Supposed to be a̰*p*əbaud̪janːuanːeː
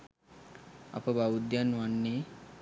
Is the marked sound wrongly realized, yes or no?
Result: no